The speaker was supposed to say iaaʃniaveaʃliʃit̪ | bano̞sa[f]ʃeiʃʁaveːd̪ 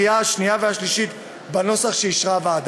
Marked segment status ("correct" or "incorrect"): incorrect